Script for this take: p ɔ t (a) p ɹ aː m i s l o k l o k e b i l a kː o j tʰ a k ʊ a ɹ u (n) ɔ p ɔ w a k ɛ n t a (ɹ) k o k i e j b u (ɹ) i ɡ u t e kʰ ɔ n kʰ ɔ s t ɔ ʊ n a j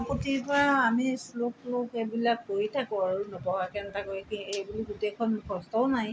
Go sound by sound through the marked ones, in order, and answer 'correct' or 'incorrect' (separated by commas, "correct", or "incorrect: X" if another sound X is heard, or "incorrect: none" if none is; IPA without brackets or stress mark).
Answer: incorrect: i, correct, incorrect: none, incorrect: l